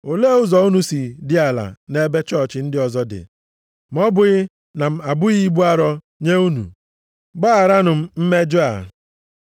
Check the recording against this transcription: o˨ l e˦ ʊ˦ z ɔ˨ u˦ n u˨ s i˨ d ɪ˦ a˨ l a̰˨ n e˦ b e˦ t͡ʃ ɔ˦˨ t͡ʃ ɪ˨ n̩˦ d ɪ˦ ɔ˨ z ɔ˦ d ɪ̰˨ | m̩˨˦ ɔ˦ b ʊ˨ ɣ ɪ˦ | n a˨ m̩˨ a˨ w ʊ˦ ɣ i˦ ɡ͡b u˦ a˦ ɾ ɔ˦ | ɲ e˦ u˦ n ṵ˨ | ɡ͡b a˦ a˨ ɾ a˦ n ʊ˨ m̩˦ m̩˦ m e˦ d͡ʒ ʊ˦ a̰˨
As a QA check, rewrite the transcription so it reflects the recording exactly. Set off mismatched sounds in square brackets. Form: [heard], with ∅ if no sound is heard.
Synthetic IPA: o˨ l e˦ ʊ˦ z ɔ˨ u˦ n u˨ s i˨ d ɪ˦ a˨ l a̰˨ n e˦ b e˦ t͡ʃ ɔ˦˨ t͡ʃ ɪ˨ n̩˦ d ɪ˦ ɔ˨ z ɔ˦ d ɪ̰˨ | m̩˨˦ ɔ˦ b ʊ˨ ɣ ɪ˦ | n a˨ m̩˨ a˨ [b] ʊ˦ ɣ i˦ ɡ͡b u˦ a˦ ɾ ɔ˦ | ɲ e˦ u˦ n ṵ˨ | ɡ͡b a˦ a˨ ɾ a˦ n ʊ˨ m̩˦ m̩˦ m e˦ d͡ʒ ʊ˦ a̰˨